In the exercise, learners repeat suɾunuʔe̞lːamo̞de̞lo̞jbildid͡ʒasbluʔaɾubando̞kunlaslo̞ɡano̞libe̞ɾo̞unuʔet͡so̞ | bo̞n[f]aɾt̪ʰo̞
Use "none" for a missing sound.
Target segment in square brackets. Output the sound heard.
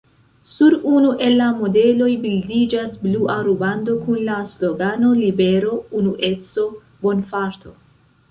f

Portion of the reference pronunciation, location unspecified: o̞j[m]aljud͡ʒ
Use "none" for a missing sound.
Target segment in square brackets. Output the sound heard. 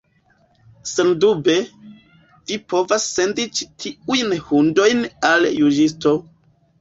n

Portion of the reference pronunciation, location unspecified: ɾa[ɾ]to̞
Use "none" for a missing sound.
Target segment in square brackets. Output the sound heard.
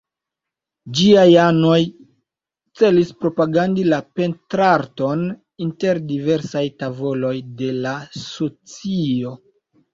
ɾ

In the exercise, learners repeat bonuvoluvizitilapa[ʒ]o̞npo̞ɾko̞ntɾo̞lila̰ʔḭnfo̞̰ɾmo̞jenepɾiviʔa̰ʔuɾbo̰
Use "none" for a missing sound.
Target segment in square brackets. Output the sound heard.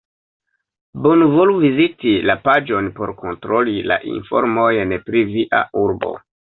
d͡ʒ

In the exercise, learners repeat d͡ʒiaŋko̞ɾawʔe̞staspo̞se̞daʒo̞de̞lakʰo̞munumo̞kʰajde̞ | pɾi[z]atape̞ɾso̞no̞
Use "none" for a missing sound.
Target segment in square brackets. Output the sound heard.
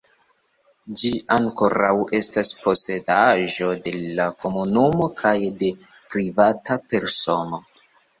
v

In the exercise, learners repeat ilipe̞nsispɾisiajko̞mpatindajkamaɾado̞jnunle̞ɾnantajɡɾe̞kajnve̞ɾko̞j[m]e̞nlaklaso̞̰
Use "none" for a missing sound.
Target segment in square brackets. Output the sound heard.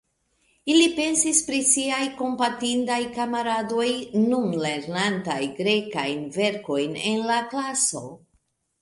n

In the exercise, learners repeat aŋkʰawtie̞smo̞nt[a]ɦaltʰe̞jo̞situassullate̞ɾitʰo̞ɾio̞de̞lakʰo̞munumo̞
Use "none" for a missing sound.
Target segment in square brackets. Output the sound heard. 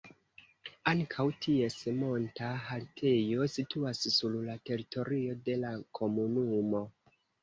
a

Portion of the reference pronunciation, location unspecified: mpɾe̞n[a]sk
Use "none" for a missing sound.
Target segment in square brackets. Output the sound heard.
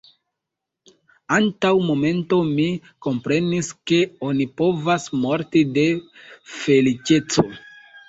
i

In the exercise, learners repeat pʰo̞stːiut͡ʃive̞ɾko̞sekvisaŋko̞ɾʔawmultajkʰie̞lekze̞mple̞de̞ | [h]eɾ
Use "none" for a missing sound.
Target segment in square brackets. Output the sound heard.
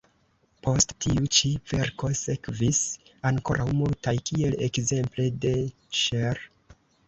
ʃ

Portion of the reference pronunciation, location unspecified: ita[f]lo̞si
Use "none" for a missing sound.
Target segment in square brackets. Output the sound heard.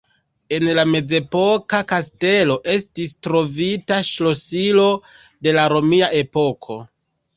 ʃ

